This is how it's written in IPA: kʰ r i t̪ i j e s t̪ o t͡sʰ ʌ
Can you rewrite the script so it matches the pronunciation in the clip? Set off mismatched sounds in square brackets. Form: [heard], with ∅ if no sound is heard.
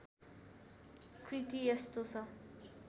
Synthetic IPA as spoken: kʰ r i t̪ i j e s t̪ o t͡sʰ ʌ